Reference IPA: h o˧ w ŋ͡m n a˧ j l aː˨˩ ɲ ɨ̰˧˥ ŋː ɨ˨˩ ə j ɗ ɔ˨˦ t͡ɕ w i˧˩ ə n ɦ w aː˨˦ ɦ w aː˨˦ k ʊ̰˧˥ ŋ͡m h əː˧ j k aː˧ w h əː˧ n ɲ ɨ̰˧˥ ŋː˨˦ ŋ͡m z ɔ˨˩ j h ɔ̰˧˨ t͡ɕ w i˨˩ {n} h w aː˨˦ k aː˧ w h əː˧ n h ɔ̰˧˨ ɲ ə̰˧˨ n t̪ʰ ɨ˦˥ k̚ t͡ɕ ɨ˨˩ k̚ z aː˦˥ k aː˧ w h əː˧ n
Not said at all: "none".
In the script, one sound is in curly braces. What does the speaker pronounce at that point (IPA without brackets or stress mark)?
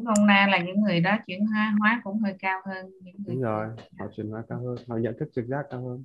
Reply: n